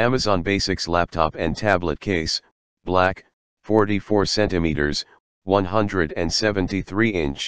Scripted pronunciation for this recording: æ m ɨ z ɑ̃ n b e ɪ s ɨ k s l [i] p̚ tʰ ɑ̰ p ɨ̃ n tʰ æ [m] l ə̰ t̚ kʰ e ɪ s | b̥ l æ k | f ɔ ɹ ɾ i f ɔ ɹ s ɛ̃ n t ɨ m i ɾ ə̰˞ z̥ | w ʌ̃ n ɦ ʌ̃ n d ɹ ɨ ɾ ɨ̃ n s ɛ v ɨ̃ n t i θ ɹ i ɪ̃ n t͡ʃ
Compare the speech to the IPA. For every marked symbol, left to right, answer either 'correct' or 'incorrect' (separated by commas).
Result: incorrect, incorrect